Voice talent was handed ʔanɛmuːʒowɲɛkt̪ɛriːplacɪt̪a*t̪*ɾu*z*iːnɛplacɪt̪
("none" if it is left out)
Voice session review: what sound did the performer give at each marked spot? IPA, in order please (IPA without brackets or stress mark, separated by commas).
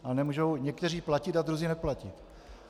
d̪, z